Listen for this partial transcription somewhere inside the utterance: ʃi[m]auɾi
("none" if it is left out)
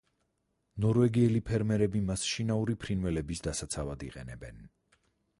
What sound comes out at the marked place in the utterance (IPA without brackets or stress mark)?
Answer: n